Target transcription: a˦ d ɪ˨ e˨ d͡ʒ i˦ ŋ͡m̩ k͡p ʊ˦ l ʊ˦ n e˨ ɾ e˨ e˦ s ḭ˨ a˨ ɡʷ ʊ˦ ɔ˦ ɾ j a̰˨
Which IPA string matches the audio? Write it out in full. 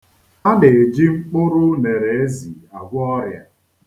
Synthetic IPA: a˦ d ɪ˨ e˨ d͡ʒ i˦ ŋ͡m̩ k͡p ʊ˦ ɾ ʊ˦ n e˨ ɾ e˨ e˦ z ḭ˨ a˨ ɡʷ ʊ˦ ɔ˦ ɾ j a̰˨